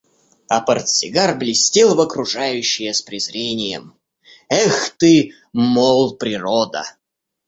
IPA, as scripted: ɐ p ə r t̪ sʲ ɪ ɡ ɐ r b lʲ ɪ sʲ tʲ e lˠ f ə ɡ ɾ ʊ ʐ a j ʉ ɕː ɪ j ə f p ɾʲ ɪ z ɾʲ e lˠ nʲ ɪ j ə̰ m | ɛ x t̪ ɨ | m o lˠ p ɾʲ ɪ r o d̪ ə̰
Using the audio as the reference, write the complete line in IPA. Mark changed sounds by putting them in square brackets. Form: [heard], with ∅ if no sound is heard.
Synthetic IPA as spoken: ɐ p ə r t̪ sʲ ɪ ɡ [a] r b lʲ ɪ sʲ tʲ e lˠ [v] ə [k] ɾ ʊ ʐ a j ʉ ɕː ɪ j ə [s] p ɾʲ ɪ z ɾʲ e [∅] nʲ ɪ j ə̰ m | ɛ x t̪ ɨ | m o lˠ p ɾʲ ɪ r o d̪ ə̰